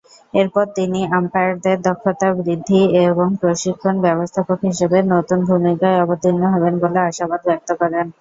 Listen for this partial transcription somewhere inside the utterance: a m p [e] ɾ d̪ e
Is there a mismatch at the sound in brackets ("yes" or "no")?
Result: yes